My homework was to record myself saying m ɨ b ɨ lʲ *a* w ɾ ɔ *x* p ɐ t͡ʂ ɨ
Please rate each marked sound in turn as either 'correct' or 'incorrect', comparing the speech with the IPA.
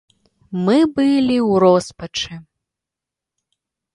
incorrect: i, incorrect: s

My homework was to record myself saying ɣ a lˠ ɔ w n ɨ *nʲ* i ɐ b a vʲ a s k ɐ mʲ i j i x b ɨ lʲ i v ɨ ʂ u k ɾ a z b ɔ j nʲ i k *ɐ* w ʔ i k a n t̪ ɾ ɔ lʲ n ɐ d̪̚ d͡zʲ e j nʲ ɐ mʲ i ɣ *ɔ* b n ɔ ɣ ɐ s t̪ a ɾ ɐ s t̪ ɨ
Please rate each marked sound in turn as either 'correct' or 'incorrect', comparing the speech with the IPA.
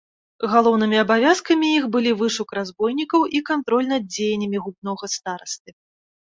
incorrect: mʲ, correct, incorrect: u

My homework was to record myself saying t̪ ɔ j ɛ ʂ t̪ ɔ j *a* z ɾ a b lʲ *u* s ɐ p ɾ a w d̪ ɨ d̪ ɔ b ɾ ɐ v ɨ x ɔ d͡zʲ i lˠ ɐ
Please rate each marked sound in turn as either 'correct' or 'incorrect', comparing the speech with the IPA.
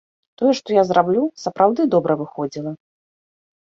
correct, correct

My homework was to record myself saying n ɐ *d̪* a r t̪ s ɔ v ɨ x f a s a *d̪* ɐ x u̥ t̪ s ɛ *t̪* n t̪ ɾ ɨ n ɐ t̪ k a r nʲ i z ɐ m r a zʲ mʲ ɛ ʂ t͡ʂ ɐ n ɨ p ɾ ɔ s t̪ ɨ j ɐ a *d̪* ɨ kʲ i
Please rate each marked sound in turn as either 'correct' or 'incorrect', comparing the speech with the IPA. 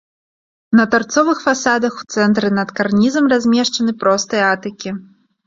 incorrect: t̪, correct, incorrect: none, incorrect: t̪

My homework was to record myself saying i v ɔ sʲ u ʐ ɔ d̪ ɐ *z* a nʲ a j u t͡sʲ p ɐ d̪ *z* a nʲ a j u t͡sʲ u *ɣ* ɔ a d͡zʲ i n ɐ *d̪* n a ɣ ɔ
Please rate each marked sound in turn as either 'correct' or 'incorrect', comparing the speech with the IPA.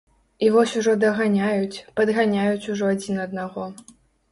incorrect: ɣ, incorrect: ɣ, incorrect: ʐ, correct

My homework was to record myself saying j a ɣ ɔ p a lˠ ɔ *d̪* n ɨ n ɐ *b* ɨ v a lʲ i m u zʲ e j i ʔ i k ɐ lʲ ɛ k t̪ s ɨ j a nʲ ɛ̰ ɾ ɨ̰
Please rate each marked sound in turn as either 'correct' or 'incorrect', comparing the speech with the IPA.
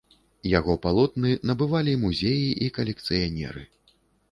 incorrect: t̪, correct

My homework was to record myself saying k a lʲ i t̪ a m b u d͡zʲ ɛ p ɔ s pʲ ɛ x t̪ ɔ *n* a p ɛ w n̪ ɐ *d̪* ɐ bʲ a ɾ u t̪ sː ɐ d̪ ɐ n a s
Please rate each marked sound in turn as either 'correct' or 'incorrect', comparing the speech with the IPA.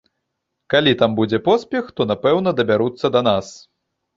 correct, correct

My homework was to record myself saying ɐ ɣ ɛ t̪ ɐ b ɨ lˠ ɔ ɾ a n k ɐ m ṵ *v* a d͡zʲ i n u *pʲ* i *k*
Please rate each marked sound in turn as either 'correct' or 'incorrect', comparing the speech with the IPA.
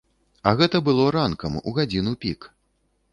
incorrect: ɣ, correct, correct

